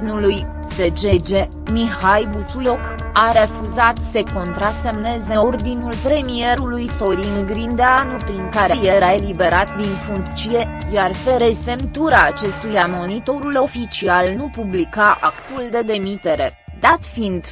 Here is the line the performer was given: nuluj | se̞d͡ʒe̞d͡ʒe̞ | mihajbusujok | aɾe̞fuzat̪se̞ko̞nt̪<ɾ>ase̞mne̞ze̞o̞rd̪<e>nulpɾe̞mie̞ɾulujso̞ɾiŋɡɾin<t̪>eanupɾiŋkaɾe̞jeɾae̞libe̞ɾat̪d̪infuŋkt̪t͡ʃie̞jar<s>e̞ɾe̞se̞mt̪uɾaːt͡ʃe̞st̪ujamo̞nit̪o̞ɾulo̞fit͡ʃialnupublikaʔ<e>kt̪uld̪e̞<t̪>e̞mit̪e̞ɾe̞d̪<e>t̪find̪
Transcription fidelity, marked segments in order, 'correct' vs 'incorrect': correct, incorrect: i, incorrect: d̪, incorrect: f, incorrect: a, incorrect: d̪, incorrect: a

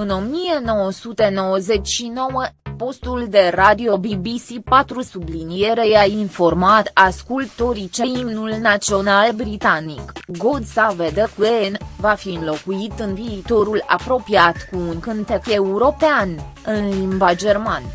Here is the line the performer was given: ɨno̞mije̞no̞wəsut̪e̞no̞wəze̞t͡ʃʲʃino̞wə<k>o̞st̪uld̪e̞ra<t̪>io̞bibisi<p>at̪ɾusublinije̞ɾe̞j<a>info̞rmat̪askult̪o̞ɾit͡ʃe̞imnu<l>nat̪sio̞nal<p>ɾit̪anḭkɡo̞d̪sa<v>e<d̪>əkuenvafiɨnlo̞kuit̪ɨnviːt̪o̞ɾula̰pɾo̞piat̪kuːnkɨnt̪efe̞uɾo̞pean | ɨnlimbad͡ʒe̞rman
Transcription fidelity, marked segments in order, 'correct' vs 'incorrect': incorrect: p, incorrect: d̪, correct, correct, correct, incorrect: b, correct, correct

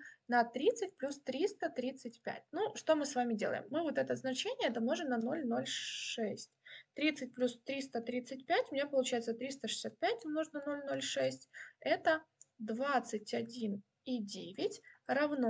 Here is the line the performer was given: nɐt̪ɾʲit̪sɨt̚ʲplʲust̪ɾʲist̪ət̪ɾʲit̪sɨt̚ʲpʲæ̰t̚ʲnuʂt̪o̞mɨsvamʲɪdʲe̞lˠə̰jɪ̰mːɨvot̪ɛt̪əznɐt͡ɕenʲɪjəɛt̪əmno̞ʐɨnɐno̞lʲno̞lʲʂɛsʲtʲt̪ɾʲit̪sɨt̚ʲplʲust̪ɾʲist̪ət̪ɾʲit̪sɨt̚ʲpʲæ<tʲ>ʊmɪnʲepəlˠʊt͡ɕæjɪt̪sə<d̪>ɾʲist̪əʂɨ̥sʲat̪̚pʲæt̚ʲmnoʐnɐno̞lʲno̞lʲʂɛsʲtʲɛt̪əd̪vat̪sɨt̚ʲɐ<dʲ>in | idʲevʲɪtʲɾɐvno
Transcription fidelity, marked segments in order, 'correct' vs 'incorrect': correct, incorrect: t̪, correct

